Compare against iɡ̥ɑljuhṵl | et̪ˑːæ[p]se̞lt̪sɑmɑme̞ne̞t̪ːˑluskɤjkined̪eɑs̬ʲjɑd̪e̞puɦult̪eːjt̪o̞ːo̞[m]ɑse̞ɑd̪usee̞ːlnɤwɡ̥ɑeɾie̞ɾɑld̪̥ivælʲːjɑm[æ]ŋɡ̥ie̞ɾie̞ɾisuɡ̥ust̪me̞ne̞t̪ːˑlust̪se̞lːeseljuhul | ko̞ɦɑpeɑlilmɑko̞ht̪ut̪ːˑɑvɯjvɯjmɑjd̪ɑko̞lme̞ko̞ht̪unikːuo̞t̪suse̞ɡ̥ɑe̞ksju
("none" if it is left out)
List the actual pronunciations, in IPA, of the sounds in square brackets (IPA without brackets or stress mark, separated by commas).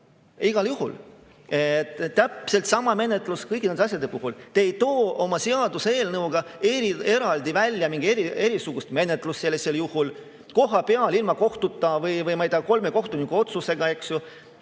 p, m, i